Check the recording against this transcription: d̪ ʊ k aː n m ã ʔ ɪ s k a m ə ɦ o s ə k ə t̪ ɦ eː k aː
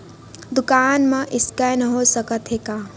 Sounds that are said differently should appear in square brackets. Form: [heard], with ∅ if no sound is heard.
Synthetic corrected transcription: d̪ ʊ k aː n m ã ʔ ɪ s k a [n] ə ɦ o s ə k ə t̪ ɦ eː k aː